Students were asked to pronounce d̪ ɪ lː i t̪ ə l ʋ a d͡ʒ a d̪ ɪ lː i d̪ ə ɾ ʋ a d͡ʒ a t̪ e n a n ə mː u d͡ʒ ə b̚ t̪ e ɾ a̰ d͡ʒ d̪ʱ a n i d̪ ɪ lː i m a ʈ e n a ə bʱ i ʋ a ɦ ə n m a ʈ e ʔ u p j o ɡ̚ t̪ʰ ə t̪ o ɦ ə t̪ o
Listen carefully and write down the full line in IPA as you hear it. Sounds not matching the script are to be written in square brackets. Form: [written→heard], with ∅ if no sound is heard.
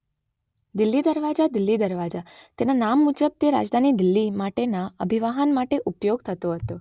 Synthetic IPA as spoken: d̪ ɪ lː i [t̪→d̪] ə [l→ɾ] ʋ a d͡ʒ a d̪ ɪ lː i d̪ ə ɾ ʋ a d͡ʒ a t̪ e n a n [ə→a] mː u d͡ʒ ə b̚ t̪ e ɾ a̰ d͡ʒ d̪ʱ a n i d̪ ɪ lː i m a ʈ e n a ə bʱ i ʋ a ɦ ə n m a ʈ e ʔ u p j o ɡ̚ t̪ʰ ə t̪ o ɦ ə t̪ o